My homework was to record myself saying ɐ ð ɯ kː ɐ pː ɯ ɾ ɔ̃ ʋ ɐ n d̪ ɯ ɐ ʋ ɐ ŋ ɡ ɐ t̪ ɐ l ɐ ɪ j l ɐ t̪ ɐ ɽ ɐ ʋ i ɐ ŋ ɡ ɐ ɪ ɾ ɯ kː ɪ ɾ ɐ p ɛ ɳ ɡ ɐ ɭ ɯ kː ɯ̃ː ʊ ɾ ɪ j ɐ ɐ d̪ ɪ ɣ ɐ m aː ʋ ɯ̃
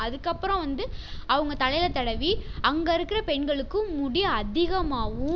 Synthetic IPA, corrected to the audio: ɐ ð ɯ kː ɐ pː ɯ ɾ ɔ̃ ʋ ɐ n d̪ ɯ ɐ ʋ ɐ ŋ ɡ ɐ t̪ ɐ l ɐ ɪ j l ɐ t̪ ɐ ɽ ɐ ʋ i ɐ ŋ ɡ ɐ ɪ ɾ ɯ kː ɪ ɾ ɐ p ɛ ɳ ɡ ɐ ɭ ɯ kː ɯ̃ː ʊ ɽ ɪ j ɐ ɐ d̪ ɪ ɣ ɐ m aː ʋ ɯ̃